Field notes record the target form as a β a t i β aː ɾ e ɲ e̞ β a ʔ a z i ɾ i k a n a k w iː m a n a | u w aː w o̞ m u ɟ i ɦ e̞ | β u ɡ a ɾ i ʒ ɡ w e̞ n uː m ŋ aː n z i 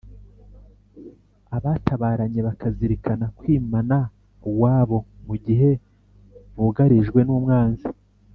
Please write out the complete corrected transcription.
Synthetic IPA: a β a t a β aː ɾ a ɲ e̞ β a k a z i ɾ i k a n a k w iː m a n a | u w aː β o̞ m u ɟ i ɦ e̞ | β u ɡ a ɾ i ʒ ɡ w e̞ n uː m ŋ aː n z i